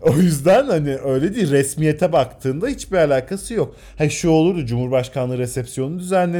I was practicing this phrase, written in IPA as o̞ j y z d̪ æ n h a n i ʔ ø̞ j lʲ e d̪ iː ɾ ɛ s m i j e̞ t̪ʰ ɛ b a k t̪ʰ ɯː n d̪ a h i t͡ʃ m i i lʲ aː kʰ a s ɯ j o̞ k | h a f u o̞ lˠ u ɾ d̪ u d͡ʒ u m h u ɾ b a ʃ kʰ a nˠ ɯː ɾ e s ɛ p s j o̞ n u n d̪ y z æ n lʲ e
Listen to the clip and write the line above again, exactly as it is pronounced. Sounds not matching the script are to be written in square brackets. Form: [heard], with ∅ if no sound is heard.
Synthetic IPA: o̞ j y z d̪ æ n h a n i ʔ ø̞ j lʲ e d̪ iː ɾ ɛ s m i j e̞ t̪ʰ ɛ b a k t̪ʰ ɯː n d̪ a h i t͡ʃ [b] i [a] lʲ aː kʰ a s ɯ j o̞ k | h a [ʃ] u o̞ lˠ u ɾ d̪ u d͡ʒ u m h u ɾ b a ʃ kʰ a nˠ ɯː ɾ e s ɛ p s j o̞ n u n d̪ y z æ n lʲ e